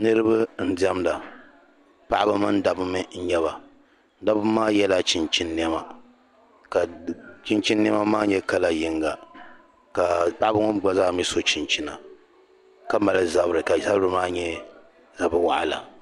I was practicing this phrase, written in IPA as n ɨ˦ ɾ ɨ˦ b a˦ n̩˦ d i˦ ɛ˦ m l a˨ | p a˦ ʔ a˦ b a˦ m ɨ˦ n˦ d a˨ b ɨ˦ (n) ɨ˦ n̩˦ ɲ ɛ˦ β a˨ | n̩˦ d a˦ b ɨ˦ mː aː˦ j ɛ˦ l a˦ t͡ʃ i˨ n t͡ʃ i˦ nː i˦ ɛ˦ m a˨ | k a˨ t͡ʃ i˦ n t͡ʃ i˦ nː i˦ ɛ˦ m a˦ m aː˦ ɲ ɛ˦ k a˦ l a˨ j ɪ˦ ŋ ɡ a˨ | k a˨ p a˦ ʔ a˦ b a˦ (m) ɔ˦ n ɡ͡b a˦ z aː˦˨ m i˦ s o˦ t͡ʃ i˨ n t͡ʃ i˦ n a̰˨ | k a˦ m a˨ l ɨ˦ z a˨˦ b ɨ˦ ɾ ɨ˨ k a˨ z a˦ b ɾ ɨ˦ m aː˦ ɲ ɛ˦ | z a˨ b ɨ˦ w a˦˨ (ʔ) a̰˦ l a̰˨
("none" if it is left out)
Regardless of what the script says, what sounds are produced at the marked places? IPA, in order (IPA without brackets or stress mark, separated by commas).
m, ŋ, ʔ